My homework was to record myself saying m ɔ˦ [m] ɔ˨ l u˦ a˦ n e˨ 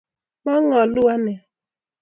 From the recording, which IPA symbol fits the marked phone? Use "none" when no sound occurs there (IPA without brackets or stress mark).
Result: ŋ